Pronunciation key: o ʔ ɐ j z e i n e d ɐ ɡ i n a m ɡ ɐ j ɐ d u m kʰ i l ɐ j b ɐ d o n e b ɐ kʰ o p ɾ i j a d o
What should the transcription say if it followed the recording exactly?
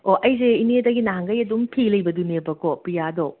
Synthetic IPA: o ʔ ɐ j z e i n e d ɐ ɡ i n a ŋ ɡ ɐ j ɐ d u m pʰ i l ɐ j b ɐ d u n e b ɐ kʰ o p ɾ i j a d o